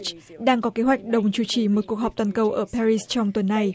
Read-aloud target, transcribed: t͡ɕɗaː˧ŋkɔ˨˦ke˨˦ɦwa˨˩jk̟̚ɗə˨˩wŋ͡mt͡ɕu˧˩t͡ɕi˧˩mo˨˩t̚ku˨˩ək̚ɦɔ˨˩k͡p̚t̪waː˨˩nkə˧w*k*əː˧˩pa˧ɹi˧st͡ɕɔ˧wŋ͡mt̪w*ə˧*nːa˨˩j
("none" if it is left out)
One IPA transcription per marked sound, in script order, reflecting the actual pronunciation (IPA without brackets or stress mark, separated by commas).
ʔ, ə˨˩